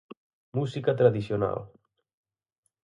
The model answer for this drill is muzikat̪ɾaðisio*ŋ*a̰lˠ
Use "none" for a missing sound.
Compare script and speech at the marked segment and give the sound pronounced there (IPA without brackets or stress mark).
n